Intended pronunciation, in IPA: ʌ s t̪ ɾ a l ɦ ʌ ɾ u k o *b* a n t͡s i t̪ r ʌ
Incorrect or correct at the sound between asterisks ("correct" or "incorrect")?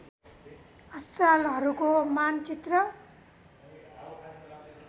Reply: incorrect